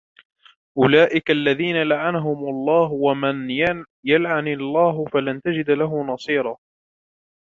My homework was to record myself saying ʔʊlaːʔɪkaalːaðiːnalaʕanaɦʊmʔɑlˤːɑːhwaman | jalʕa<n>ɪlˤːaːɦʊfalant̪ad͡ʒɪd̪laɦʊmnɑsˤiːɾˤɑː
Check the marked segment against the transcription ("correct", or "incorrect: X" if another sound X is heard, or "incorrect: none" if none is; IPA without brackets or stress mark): correct